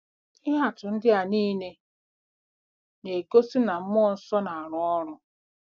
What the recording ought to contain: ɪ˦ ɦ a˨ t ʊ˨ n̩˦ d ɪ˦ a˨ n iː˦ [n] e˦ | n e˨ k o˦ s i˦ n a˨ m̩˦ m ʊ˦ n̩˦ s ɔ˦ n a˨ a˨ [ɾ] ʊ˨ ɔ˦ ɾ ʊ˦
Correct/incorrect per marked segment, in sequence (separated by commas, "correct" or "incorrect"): correct, correct